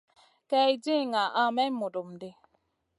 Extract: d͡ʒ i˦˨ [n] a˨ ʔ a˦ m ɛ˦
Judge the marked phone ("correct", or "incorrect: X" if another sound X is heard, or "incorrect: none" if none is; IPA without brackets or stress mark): incorrect: ŋ